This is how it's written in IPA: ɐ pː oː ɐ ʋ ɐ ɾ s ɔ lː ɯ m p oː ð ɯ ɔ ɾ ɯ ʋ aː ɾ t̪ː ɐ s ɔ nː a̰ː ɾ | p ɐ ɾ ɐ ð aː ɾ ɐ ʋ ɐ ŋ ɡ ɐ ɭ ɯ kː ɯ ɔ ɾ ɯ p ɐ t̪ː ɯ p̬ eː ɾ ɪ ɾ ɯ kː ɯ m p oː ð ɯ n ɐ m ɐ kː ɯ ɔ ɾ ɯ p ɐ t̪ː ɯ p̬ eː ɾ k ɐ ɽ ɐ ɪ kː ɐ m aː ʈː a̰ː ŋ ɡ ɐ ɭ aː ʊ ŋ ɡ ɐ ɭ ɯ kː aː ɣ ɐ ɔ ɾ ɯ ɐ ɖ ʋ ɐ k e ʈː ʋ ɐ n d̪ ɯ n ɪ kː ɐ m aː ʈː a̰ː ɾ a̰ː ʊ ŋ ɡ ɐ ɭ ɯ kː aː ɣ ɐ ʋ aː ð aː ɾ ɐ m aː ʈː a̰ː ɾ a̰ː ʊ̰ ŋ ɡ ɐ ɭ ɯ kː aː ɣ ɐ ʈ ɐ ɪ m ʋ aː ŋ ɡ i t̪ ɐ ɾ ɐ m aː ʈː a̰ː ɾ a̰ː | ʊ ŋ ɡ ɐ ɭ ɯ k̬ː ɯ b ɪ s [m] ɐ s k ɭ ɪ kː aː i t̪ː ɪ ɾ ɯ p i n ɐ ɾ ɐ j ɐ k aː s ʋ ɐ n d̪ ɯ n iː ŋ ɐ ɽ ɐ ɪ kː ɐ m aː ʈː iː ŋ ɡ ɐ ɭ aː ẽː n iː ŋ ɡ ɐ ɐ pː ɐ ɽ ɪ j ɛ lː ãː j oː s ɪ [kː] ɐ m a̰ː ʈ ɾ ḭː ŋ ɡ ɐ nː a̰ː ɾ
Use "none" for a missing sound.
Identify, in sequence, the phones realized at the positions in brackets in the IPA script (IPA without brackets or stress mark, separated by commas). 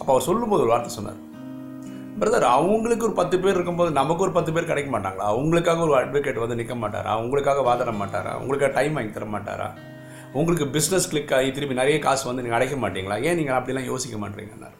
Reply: n, kː